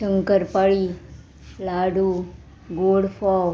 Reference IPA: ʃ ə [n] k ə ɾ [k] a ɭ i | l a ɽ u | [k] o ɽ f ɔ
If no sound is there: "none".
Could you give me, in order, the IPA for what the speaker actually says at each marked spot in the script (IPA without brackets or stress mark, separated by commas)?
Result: ŋ, p, ɡ